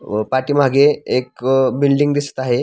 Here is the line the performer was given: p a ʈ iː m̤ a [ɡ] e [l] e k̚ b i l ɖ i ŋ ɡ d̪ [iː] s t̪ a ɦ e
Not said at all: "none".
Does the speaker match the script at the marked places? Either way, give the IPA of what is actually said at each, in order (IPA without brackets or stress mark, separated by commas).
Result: ɡ, none, i